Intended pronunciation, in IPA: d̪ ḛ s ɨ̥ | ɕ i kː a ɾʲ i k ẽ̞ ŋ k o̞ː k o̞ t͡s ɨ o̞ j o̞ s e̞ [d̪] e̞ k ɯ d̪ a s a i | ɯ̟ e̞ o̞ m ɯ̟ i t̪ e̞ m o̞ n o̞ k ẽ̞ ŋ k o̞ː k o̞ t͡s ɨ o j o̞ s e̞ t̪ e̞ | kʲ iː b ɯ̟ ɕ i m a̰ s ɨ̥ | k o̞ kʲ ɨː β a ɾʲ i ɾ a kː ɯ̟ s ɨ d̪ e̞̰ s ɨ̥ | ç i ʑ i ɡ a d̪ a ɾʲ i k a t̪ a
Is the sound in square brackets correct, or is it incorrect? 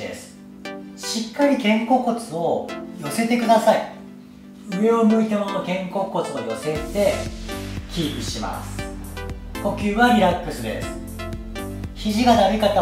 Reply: incorrect